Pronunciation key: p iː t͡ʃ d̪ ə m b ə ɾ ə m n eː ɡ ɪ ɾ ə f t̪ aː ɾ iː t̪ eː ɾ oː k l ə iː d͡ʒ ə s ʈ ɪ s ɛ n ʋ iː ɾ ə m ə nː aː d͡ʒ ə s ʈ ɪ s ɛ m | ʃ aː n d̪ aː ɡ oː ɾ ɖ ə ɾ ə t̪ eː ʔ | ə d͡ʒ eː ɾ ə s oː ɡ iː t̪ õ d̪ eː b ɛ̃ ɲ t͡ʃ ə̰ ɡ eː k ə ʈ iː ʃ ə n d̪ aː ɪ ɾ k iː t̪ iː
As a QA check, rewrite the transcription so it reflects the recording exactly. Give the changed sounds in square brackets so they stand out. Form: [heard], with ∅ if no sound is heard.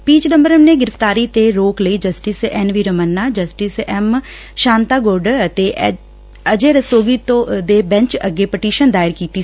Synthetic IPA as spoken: p iː t͡ʃ d̪ ə m b ə ɾ ə m n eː ɡ ɪ ɾ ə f t̪ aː ɾ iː t̪ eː ɾ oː k l ə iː d͡ʒ ə s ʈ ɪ s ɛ n ʋ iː ɾ ə m ə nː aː d͡ʒ ə s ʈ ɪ s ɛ m | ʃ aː n [t̪] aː ɡ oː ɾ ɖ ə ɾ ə t̪ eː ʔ | ə d͡ʒ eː ɾ ə s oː ɡ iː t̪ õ d̪ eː b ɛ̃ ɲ t͡ʃ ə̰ ɡ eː [p] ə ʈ iː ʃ ə n d̪ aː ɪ ɾ k iː t̪ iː